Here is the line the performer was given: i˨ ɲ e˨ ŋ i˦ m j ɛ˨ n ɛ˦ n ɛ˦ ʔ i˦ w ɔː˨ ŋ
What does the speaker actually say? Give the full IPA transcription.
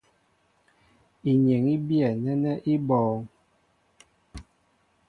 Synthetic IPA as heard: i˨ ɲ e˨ ŋ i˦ b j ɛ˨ n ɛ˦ n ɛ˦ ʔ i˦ b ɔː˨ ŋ